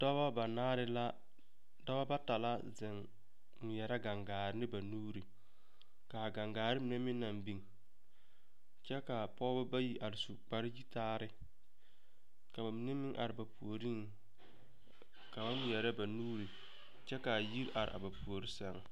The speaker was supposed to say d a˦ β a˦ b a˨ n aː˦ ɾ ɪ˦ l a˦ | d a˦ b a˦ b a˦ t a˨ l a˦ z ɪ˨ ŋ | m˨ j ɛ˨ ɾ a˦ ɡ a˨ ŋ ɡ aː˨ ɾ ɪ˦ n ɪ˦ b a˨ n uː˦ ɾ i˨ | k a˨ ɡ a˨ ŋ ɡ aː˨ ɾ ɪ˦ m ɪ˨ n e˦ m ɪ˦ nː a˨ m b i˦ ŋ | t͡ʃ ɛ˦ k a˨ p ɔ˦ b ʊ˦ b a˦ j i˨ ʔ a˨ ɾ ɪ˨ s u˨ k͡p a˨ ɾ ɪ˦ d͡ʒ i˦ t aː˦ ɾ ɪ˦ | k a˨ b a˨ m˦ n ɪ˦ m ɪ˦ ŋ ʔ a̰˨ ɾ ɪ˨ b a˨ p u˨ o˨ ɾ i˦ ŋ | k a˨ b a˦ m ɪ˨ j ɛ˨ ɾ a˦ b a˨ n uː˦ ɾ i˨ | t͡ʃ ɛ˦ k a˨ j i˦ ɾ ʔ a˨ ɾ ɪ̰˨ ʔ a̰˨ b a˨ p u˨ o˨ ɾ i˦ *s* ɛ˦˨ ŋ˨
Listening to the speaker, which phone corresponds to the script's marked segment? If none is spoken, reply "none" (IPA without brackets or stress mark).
s